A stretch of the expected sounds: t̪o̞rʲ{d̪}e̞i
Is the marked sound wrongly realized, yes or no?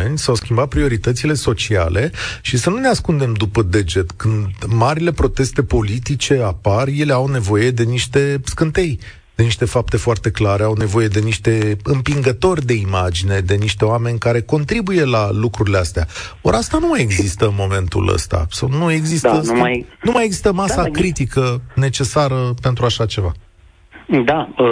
no